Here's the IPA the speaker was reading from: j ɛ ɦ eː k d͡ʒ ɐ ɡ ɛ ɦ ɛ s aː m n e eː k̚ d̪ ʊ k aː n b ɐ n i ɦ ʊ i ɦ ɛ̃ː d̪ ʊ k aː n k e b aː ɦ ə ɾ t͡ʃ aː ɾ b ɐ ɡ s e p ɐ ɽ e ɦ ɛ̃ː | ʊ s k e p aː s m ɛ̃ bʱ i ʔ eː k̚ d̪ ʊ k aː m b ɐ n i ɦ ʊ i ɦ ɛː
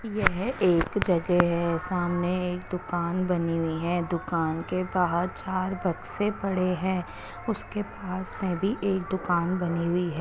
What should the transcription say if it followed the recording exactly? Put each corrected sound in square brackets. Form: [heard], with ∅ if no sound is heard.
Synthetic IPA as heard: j ɛ ɦ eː k d͡ʒ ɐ ɡ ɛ ɦ ɛ s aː m n e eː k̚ d̪ ʊ k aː n b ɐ n i ɦ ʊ i ɦ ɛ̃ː d̪ ʊ k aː n k e b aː ɦ ə ɾ t͡ʃ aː ɾ b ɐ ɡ s e p ɐ ɽ e ɦ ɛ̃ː | ʊ s k e p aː s m [ẽ] bʱ i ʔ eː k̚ d̪ ʊ k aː [n] b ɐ n i ɦ ʊ i ɦ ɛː